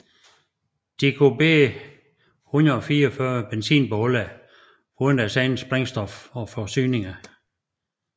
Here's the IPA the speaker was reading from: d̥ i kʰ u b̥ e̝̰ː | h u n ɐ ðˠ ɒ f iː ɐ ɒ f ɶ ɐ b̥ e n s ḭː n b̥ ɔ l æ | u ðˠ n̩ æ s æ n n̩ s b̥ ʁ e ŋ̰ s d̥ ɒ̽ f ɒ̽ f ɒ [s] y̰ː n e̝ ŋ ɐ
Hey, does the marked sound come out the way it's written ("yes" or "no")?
yes